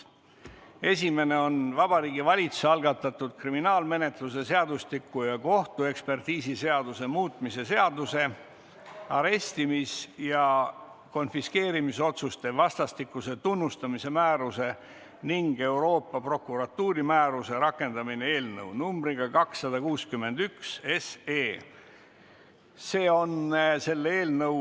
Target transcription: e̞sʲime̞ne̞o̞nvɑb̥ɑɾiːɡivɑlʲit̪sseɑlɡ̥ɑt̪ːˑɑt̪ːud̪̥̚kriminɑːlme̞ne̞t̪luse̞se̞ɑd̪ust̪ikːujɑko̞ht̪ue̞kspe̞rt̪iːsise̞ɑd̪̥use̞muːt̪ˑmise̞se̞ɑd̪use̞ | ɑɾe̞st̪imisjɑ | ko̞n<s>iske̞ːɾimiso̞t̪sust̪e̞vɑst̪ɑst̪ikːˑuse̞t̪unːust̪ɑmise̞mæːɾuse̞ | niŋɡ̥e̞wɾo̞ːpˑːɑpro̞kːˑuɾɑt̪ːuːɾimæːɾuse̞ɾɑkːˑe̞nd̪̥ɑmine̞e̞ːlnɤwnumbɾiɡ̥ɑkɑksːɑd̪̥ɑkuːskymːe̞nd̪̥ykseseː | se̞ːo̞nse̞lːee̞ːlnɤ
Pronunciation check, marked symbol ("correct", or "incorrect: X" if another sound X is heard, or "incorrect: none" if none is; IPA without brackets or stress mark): incorrect: f